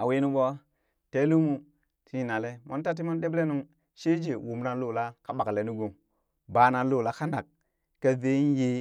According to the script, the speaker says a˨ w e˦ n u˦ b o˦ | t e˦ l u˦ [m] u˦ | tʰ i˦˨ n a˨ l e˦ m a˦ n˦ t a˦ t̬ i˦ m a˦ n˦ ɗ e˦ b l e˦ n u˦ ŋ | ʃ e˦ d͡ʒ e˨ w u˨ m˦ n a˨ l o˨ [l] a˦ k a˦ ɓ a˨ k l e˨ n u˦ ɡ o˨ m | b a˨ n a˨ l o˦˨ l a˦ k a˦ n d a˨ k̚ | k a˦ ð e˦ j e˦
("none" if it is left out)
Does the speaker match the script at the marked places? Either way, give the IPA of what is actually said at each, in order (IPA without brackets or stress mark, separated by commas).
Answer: m, l